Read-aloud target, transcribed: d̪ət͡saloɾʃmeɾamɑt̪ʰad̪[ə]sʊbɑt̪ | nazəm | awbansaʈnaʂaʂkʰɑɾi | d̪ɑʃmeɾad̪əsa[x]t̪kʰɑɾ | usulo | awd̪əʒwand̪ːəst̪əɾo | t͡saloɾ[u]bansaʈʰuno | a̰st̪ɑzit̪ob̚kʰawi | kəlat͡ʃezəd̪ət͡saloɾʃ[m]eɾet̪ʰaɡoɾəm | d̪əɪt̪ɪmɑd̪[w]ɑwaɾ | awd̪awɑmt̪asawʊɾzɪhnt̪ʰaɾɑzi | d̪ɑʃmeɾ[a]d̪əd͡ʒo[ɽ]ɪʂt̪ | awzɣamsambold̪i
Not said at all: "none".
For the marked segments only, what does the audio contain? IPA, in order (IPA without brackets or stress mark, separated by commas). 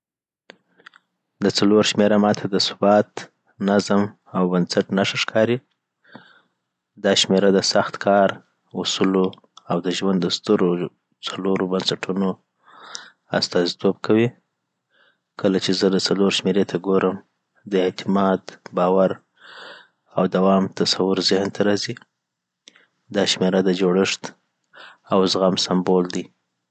ə, x, o, m, b, a, ɽ